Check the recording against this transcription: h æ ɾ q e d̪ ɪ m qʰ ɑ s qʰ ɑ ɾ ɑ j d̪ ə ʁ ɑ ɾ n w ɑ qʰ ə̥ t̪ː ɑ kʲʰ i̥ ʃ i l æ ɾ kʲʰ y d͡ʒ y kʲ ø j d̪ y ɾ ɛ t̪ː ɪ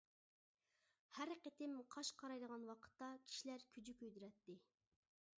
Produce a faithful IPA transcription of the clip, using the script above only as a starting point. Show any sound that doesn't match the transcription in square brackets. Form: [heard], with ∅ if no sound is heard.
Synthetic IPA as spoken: h æ ɾ q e [t̪] ɪ m qʰ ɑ [ʃ] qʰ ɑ ɾ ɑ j d̪ ə ʁ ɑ [∅] n w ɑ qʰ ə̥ t̪ː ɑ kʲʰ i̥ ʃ i l æ ɾ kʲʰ y d͡ʒ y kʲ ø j d̪ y ɾ ɛ t̪ː ɪ